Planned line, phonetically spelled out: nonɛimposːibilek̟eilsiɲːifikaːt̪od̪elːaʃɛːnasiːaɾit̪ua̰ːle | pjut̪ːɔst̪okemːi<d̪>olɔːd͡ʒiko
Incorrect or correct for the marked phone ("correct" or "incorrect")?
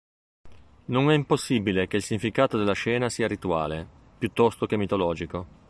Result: incorrect